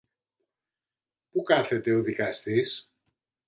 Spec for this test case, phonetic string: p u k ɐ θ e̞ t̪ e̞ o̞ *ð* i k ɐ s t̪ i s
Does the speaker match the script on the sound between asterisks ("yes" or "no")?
yes